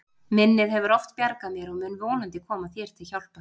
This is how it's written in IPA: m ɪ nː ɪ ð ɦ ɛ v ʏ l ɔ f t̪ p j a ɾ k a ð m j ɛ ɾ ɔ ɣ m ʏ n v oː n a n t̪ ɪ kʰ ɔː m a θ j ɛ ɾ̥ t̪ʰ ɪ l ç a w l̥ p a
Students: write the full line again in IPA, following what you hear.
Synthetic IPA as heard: m ɪ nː ɪ ð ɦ ɛ v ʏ ɾ ɔ f t̪ p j a ɾ k a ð m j ɛ ɾ ɔ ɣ m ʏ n v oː n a n t̪ ɪ kʰ ɔː m a θ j ɛ ɾ̥ t̪ʰ ɪ l ç a w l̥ p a